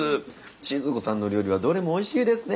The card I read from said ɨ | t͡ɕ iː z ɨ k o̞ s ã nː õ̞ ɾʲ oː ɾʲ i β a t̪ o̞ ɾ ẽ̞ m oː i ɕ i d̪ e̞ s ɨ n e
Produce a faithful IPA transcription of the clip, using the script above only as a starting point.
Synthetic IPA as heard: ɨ | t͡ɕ i z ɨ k o̞ s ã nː o̞ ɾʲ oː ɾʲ i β a d̪ o̞ ɾ e̞ m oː i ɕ iː d̪ e̞ s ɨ n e